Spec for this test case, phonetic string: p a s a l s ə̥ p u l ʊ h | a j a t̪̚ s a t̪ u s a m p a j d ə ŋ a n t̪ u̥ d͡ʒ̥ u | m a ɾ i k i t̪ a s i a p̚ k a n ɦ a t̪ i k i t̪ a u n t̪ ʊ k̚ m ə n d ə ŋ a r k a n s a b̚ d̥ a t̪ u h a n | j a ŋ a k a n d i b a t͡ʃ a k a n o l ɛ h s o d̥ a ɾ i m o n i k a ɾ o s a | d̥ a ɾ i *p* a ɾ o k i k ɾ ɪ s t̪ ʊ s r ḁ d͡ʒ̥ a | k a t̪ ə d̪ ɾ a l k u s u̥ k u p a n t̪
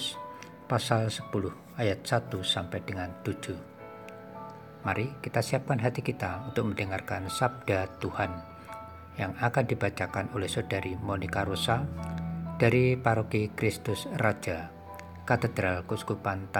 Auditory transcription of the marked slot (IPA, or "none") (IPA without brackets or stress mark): p